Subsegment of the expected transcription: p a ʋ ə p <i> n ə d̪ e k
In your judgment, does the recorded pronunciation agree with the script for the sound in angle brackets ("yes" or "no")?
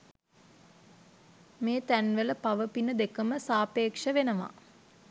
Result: yes